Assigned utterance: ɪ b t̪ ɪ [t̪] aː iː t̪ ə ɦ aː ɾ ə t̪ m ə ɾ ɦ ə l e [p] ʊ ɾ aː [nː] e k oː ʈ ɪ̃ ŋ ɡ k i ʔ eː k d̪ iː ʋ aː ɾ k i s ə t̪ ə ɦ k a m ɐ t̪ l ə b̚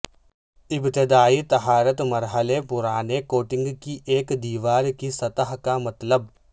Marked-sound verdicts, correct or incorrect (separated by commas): incorrect, correct, incorrect